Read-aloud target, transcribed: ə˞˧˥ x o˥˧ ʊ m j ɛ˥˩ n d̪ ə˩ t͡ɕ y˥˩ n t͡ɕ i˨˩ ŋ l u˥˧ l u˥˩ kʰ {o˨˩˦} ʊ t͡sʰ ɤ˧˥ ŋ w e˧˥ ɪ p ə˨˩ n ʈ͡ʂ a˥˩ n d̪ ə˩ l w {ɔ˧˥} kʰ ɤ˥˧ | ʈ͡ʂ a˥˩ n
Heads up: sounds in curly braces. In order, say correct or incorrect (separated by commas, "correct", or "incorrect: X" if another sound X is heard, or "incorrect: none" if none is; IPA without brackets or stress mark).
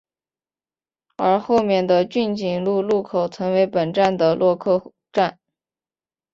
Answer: incorrect: o˨˩, incorrect: ɔ˥˧